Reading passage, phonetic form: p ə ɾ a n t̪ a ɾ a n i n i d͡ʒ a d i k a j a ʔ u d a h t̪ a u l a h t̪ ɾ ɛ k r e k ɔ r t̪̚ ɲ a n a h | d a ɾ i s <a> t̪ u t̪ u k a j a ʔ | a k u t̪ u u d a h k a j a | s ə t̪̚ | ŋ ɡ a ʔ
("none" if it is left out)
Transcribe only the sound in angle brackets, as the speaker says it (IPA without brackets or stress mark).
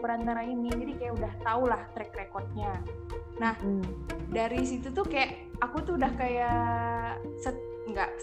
i